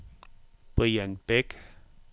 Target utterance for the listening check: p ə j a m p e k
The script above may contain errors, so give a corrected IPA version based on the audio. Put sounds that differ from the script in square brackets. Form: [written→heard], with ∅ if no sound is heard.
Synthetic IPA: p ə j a [m→n] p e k

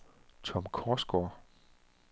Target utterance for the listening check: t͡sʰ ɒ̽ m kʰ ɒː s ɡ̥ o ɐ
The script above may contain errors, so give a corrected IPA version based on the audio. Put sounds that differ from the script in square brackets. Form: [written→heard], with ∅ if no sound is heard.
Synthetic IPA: t͡sʰ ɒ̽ m kʰ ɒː s ɡ̥ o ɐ

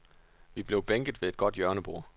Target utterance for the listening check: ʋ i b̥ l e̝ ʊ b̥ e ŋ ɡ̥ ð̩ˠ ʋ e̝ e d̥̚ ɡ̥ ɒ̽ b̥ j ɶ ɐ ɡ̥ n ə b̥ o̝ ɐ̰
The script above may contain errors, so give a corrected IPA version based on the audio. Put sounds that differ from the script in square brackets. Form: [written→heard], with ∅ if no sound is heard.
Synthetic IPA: ʋ i b̥ l e̝ ʊ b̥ e ŋ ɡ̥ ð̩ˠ ʋ e̝ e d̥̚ ɡ̥ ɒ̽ [b̥→d̥] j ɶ ɐ [ɡ̥→∅] n ə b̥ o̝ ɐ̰

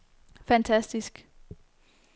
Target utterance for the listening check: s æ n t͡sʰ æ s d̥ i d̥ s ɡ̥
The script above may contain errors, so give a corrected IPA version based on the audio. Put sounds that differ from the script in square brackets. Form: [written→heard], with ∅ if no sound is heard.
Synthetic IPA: [s→f] æ n t͡sʰ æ s d̥ i [d̥→∅] s ɡ̥

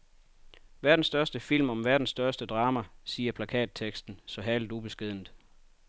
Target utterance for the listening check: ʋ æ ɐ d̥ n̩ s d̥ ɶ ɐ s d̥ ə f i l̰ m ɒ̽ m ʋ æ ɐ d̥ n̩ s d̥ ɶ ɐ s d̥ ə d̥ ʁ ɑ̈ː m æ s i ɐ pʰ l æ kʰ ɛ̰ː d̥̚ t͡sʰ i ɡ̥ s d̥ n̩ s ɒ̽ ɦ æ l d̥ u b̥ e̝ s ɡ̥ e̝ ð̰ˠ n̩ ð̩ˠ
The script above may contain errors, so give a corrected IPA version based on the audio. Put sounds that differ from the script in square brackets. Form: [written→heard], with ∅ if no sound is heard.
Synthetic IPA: ʋ æ ɐ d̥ n̩ s d̥ ɶ ɐ s d̥ ə f i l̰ m ɒ̽ m ʋ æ ɐ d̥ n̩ s d̥ ɶ ɐ s d̥ ə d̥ ʁ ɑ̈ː m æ s [i→iː] ɐ pʰ l æ kʰ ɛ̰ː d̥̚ t͡sʰ [i→e] ɡ̥ s d̥ n̩ s ɒ̽ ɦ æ l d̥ u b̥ e̝ s ɡ̥ e̝ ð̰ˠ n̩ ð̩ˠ

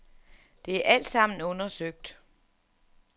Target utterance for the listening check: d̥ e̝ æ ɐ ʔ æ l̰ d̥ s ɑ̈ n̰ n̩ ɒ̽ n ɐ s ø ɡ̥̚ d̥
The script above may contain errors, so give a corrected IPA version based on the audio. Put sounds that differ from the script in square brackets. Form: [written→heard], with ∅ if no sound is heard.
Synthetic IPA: d̥ e̝ æ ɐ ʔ æ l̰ d̥ s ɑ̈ [n̰→m̰] n̩ [ɒ̽→ɔ̽] n ɐ s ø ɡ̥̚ d̥

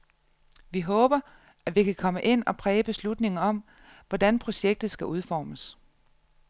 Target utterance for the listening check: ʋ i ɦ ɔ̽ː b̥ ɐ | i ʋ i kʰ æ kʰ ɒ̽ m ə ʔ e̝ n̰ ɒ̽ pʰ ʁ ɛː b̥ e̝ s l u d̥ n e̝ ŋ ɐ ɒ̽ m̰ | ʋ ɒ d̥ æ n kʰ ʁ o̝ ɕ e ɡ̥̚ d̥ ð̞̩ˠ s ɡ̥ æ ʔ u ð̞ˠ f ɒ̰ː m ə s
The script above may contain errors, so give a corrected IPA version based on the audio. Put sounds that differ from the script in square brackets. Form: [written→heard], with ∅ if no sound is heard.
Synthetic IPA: ʋ i ɦ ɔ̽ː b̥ ɐ | [i→æ] ʋ i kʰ æ kʰ ɒ̽ m ə ʔ e̝ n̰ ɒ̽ pʰ ʁ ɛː b̥ e̝ s l u d̥ n e̝ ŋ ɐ ɒ̽ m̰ | ʋ ɒ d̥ æ n [kʰ→pʰ] ʁ o̝ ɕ e ɡ̥̚ d̥ ð̞̩ˠ s ɡ̥ æ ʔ u ð̞ˠ f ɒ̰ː m ə s

